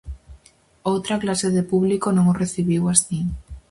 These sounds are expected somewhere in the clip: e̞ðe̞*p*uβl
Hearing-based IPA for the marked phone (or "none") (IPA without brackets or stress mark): p